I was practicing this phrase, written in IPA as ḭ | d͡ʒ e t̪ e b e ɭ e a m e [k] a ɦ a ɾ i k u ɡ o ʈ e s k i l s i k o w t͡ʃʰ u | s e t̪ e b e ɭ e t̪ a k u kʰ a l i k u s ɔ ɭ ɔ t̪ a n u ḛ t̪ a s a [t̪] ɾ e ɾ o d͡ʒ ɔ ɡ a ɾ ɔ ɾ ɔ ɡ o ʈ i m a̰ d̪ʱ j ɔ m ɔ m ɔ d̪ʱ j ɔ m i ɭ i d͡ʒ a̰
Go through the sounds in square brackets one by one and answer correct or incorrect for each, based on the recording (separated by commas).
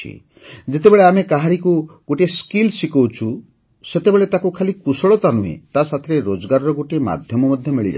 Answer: correct, incorrect